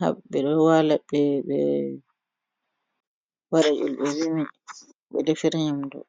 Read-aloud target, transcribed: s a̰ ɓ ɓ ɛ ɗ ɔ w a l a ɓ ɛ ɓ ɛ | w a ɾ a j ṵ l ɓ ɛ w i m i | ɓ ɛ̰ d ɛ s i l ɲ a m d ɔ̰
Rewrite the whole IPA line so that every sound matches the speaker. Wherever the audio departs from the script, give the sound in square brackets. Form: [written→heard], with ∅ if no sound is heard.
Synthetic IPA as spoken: [s→h] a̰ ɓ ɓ ɛ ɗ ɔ w a l a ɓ ɛ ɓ ɛ | w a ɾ a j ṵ l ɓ ɛ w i m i | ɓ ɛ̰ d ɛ [s→f] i [l→ɾ] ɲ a m d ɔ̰